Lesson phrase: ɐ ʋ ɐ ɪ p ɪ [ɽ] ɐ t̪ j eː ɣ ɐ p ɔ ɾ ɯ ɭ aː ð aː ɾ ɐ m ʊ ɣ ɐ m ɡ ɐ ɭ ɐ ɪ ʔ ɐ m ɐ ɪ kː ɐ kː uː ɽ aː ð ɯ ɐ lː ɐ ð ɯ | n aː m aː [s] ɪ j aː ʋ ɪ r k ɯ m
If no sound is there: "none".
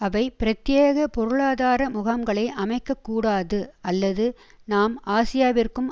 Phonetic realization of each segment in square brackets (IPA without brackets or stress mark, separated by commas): ɾ, s